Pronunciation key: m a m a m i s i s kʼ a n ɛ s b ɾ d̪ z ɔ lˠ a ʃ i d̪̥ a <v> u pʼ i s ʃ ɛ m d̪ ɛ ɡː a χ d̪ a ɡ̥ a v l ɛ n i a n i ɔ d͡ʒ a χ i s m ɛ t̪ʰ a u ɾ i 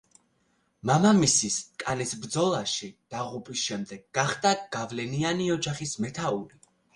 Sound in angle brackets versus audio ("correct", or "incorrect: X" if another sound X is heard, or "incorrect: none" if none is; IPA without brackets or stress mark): incorrect: ʁ